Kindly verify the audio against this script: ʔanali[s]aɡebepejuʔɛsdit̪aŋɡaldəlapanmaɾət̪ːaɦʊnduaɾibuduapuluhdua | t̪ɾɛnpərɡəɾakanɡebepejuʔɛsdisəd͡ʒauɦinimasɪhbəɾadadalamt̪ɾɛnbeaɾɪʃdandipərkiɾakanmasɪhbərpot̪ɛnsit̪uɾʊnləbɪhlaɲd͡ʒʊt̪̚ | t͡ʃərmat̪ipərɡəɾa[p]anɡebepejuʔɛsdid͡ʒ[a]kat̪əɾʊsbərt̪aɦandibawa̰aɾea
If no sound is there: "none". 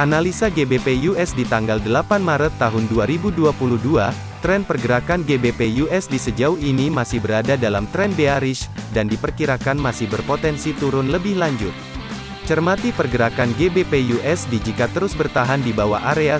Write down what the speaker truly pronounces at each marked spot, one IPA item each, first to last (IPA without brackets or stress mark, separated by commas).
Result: s, k, i